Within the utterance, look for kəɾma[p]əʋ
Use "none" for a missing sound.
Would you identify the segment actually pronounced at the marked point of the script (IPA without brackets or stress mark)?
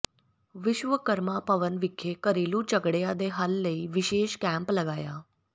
p